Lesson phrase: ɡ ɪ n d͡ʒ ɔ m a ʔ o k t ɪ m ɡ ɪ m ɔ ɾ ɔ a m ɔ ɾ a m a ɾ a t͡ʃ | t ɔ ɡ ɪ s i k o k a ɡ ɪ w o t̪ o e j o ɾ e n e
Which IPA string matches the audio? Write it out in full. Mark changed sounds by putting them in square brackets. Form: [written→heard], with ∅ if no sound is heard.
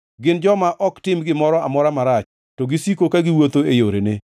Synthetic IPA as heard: ɡ ɪ n d͡ʒ ɔ m a ʔ [o→ɔ] k t ɪ m ɡ ɪ m ɔ ɾ ɔ a m ɔ ɾ a m a ɾ a t͡ʃ | t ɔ ɡ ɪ s i k o k a ɡ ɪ w o t̪ o e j o ɾ e n e